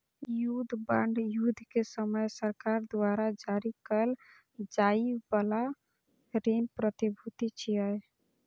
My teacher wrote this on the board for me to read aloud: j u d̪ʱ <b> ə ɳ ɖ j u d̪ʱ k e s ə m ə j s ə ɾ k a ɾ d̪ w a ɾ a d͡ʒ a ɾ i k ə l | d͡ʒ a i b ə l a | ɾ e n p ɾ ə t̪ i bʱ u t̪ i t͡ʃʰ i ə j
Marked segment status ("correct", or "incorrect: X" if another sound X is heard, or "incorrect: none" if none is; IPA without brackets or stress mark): correct